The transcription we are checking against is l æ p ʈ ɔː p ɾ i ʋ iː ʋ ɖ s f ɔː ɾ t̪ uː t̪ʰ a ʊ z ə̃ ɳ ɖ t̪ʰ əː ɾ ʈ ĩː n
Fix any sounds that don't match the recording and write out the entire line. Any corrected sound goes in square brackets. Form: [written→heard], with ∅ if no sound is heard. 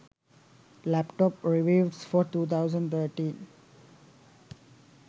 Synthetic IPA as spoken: l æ p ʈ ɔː p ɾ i ʋ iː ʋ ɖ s f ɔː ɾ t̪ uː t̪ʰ a ʊ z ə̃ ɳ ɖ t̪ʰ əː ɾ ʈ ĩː n

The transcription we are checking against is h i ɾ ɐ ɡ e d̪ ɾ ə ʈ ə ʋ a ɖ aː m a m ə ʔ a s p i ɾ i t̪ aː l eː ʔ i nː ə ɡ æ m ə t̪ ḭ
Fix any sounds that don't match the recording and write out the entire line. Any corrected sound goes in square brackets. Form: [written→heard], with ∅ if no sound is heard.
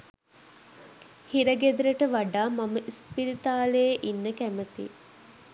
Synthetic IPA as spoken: h i ɾ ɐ ɡ e d̪ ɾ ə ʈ ə ʋ a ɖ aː m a m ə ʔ [a→i] s p i ɾ i t̪ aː l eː ʔ i nː ə [ɡ→k] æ m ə t̪ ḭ

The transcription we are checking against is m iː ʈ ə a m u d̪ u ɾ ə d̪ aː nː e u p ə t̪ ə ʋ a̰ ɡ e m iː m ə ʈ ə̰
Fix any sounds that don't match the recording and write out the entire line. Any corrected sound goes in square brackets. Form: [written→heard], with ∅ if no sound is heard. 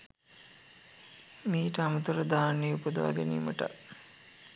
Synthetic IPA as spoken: m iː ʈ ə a m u [d̪→t̪] u ɾ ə d̪ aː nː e u p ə [t̪→d̪] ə ʋ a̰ ɡ e [m→n] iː m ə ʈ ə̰

